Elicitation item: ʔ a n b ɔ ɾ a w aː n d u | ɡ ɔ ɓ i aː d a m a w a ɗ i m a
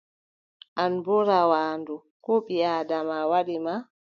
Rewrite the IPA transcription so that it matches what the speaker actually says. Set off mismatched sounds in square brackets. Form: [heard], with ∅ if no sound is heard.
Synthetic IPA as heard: ʔ a n b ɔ ɾ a w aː n d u | [k] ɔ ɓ i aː d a m a w a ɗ i m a

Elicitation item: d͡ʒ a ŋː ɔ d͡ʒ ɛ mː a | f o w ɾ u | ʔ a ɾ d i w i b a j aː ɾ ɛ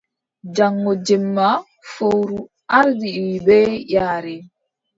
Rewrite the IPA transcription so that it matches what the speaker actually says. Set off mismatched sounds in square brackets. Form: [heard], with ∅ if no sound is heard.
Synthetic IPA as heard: d͡ʒ a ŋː ɔ d͡ʒ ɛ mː a | f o w ɾ u | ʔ a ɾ d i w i b [ɛ] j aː ɾ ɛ

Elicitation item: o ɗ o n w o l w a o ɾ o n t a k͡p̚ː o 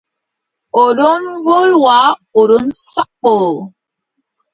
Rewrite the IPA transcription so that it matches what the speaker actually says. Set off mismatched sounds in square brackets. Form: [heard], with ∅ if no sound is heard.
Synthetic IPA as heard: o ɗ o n [v] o l w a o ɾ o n [s] a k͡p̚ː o

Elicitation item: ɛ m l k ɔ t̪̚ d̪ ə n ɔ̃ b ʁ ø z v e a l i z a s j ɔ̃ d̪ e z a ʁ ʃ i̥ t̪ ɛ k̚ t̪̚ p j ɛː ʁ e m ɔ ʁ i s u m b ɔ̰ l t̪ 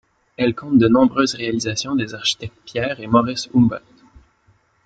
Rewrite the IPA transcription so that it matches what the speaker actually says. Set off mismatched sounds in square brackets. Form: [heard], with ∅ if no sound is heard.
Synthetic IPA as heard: ɛ [∅] l k [ɔ̃] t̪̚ d̪ ə n ɔ̃ b ʁ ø z [ʁ] e a l i z a s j ɔ̃ d̪ e z a ʁ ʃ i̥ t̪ ɛ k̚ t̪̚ p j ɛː ʁ e m ɔ ʁ i s u m b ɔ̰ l t̪

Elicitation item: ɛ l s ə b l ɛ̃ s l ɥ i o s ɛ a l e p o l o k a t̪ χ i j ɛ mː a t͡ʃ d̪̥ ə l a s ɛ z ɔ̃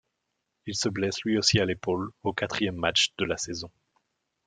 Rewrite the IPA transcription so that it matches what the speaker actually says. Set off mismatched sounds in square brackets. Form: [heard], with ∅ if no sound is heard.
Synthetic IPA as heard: [i] l s ə b l [ɛ] s l ɥ i o s [i] a l e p o l o k a t̪ χ i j ɛ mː a t͡ʃ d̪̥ ə l a s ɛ z ɔ̃

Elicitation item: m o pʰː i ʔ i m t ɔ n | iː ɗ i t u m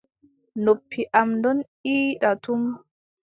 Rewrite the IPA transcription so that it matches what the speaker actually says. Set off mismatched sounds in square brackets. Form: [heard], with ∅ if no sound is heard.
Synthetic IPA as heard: [n] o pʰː i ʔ [a] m [d] ɔ n | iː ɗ [a] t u m

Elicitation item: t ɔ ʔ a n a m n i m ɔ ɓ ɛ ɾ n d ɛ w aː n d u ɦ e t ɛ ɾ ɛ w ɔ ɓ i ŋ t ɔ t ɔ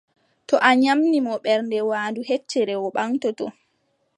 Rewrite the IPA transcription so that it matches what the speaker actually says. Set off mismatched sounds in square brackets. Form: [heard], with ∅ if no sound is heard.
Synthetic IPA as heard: t ɔ ʔ a [ɲ] a m n i m ɔ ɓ ɛ ɾ n d ɛ w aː n d u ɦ e [t͡ʃː] ɛ ɾ ɛ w ɔ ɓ [a] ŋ t ɔ t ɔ

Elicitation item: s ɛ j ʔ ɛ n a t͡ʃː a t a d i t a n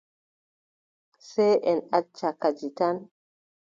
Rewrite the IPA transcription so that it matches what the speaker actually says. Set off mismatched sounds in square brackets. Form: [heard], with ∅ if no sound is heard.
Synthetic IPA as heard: s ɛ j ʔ ɛ n a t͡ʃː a [k] a [d͡ʒ] i t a n

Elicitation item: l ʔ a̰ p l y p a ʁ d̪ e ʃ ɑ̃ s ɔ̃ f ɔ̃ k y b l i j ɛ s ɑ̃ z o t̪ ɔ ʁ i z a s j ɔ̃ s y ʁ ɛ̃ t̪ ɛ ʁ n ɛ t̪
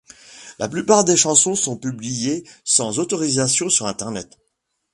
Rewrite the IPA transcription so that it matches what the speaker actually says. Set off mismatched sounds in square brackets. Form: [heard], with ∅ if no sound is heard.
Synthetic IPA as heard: l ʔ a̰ p l y p a ʁ d̪ e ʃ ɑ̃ s ɔ̃ [s] ɔ̃ [p] y b l i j [e] s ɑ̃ z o t̪ ɔ ʁ i z a s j ɔ̃ s y ʁ ɛ̃ t̪ ɛ ʁ n ɛ t̪

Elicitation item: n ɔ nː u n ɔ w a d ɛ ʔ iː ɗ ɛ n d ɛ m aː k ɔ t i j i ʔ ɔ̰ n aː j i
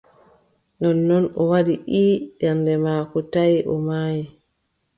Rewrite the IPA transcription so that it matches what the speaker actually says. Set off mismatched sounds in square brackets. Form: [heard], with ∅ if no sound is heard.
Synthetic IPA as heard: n ɔ nː [ɔ] n ɔ w a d [i] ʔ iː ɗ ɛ n d ɛ m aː k ɔ t [a] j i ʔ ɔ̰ [m] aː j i

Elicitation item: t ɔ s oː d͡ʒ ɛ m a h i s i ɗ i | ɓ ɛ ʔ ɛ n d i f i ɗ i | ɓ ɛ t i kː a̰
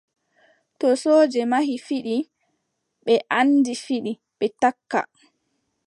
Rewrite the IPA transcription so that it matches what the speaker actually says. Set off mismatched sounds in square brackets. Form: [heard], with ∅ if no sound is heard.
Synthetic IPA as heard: t ɔ s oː d͡ʒ ɛ m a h i [f] i ɗ i | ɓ ɛ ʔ [a] n d i f i ɗ i | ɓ ɛ t [a] kː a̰

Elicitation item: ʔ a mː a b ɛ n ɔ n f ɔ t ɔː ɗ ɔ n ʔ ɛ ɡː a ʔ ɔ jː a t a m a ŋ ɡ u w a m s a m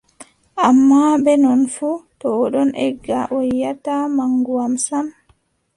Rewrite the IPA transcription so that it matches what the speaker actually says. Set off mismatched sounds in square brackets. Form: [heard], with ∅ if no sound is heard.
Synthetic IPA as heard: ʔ a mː a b ɛ n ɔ n f [u] t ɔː ɗ ɔ n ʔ ɛ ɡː a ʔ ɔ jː a t a m a ŋ ɡ u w a m s a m

